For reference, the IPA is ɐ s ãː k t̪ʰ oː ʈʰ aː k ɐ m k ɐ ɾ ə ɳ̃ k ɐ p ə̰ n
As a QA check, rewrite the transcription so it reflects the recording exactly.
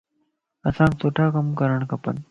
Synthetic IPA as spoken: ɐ s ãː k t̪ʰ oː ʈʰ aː k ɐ m k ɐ ɾ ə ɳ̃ k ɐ p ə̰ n